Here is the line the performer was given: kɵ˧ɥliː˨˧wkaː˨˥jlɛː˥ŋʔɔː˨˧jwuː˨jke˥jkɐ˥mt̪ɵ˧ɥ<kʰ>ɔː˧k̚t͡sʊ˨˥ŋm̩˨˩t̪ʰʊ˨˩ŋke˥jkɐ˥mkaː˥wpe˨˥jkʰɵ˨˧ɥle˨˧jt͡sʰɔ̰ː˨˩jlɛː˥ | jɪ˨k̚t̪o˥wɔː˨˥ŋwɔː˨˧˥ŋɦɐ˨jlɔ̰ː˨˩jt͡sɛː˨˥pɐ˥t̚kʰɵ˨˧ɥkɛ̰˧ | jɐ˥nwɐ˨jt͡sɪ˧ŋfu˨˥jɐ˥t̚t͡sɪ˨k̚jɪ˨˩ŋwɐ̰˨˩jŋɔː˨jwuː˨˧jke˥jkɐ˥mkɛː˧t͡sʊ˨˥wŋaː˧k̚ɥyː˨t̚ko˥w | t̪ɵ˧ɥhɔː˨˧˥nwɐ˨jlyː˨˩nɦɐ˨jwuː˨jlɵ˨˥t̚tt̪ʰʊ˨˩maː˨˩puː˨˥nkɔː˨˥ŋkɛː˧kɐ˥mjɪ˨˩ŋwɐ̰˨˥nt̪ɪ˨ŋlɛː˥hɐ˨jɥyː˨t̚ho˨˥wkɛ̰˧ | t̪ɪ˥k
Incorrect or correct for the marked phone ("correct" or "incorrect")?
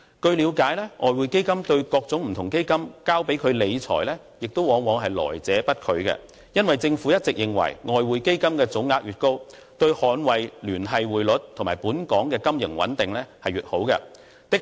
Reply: incorrect